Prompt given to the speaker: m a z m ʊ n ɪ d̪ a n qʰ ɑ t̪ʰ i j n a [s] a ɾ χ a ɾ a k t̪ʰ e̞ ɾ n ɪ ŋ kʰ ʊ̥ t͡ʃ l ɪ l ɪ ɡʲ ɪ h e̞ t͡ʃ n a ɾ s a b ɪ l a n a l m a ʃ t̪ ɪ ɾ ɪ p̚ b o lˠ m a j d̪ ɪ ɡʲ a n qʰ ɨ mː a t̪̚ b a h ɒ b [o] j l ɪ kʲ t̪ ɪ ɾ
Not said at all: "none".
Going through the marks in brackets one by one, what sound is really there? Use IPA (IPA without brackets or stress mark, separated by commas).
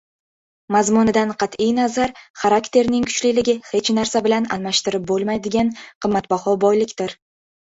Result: z, ɒ